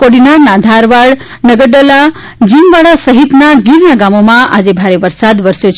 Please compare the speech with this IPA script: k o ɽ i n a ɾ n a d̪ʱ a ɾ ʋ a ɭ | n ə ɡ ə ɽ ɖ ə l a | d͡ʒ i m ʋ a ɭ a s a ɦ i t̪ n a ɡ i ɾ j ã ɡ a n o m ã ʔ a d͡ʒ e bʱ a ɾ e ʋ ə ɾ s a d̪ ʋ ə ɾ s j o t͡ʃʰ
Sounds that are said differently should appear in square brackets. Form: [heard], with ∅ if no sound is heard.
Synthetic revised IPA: k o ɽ i n a ɾ n a d̪ʱ a ɾ ʋ a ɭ | n ə ɡ ə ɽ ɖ ə l a | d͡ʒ i m ʋ a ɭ a s [ə] ɦ i t̪ n a ɡ i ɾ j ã ɡ a [m] o m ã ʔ a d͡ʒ e bʱ a ɾ e ʋ ə ɾ s a d̪ ʋ ə ɾ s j o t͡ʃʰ